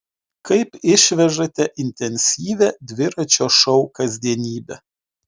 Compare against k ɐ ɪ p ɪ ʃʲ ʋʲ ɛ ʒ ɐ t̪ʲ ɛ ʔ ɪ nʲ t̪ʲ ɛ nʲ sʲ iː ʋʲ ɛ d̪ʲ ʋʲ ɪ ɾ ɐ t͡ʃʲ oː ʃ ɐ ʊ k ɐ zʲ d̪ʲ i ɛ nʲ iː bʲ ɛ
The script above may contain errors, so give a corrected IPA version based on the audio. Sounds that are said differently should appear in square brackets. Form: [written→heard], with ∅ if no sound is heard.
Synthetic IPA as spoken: k ɐ ɪ p ɪ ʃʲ ʋʲ ɛ ʒ ɐ t̪ʲ ɛ ʔ ɪ nʲ t̪ʲ ɛ nʲ sʲ iː ʋʲ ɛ d̪ʲ ʋʲ ɪ ɾ ɐ t͡ʃʲ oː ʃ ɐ ʊ k ɐ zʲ d̪ʲ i ɛ nʲ iː bʲ ɛ